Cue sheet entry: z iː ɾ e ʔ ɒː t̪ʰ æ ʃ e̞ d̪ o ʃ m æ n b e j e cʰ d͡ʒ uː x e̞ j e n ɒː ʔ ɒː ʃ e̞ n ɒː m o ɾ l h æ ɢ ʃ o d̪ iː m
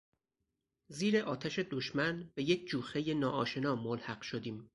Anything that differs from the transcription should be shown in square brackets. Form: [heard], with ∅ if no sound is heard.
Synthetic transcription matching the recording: z iː ɾ e ʔ ɒː t̪ʰ æ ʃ e̞ d̪ o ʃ m æ n b e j e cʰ d͡ʒ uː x e̞ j e n ɒː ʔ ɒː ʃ e̞ n ɒː m o [∅] l h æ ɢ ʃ o d̪ iː m